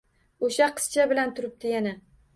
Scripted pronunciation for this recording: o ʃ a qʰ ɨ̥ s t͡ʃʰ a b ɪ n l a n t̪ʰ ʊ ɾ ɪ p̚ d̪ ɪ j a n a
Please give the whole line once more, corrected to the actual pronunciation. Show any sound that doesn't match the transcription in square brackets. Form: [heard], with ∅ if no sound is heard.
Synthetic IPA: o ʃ a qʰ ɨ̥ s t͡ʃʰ a b ɪ [∅] l a n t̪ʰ ʊ ɾ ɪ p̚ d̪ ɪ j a n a